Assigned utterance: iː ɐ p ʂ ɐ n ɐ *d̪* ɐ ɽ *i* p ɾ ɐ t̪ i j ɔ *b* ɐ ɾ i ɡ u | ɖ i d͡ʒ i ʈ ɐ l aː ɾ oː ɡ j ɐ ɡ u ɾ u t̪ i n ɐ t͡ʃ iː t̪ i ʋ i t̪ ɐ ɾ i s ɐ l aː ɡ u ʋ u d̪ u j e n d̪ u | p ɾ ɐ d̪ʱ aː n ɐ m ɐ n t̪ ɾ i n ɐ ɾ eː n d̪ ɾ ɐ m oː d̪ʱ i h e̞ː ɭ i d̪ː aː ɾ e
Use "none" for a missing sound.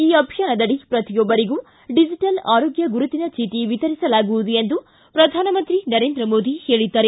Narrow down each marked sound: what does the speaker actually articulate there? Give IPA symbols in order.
d̪, i, bː

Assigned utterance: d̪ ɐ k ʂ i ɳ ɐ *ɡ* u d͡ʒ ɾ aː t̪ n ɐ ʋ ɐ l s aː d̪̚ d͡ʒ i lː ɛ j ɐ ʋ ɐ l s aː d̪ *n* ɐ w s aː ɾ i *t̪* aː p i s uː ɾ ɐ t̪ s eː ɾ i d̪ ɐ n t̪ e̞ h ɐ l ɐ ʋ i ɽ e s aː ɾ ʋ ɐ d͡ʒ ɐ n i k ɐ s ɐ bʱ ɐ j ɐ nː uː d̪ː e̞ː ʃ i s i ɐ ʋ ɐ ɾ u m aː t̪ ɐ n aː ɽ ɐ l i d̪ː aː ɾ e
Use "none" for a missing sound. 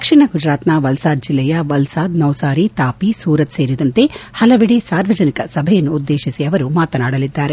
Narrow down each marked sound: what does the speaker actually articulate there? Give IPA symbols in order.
ɡ, n, t̪

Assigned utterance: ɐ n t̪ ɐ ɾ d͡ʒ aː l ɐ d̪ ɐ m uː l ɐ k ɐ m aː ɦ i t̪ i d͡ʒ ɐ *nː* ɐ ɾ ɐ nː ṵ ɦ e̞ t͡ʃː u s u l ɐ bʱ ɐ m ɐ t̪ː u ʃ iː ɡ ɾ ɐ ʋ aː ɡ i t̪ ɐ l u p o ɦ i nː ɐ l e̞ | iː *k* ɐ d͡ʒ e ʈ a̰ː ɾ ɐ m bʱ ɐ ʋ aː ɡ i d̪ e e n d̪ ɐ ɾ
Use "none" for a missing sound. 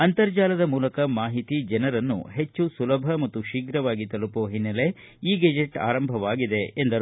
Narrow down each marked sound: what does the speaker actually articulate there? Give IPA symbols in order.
n, ɡ

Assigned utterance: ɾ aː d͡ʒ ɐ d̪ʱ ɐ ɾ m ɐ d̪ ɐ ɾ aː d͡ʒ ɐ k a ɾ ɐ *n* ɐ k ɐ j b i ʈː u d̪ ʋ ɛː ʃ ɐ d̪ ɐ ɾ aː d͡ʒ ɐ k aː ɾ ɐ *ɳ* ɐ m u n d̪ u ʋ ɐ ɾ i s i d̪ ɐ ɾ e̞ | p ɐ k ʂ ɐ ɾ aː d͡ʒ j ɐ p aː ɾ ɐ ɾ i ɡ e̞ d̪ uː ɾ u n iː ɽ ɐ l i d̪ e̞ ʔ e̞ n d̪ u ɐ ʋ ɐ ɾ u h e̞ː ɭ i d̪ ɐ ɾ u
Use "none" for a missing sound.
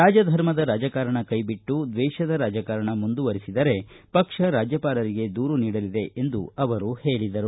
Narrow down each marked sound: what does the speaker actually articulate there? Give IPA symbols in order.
ɳ, ɳ

